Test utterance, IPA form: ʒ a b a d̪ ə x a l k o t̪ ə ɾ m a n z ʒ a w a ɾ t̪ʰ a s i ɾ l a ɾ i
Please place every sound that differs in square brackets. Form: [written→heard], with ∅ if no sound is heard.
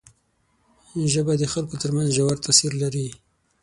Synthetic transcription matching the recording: ʒ [a→ə] b a d̪ ə x a l k o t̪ ə ɾ m a n z ʒ a w a ɾ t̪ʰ a s i ɾ l a ɾ i